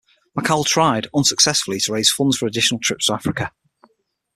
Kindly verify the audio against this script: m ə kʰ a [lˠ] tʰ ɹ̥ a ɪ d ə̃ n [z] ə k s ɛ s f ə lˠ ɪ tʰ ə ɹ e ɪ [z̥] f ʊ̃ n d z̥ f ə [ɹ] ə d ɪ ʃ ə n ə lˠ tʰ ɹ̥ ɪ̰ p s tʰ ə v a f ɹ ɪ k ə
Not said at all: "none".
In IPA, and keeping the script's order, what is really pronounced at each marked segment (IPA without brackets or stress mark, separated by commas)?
lˠ, s, z̥, ɹ